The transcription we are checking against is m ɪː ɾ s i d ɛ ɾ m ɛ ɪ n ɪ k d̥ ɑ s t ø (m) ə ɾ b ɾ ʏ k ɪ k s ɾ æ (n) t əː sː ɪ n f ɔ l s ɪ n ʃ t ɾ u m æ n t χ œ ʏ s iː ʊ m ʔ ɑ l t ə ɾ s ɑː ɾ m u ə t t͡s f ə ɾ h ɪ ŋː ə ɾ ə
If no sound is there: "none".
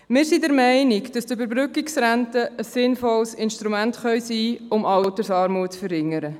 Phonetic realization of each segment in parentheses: b, n

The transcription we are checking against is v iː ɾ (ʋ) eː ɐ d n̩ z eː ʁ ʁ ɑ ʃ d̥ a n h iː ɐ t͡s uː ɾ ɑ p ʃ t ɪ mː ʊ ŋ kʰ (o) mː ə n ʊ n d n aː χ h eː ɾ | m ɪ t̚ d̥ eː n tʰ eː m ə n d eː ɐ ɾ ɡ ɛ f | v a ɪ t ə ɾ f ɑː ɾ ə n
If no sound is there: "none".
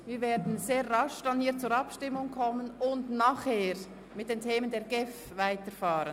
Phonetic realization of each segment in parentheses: v, ɔ

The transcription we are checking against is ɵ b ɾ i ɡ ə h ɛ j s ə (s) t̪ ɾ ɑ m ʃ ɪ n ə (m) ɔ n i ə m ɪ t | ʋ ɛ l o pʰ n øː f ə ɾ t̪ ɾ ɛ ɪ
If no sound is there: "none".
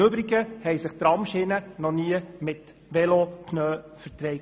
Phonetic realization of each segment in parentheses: χ, n

